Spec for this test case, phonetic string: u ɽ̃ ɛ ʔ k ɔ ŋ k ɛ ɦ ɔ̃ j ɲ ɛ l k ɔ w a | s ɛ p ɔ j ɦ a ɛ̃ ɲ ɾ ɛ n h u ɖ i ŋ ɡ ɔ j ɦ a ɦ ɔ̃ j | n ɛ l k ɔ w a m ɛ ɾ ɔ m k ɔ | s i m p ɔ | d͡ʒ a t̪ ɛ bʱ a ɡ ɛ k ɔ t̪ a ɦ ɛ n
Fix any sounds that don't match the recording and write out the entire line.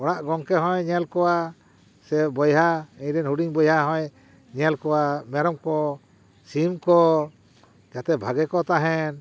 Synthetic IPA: ɔ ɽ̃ a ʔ ɡ ɔ ŋ k ɛ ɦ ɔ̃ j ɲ ɛ l k ɔ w a | s ɛ b ɔ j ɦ a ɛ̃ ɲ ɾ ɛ n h u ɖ i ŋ b ɔ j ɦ a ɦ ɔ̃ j | ɲ ɛ l k ɔ w a m ɛ ɾ ɔ m k ɔ | s i m k ɔ | d͡ʒ a t̪ ɛ bʱ a ɡ ɛ k ɔ t̪ a ɦ ɛ n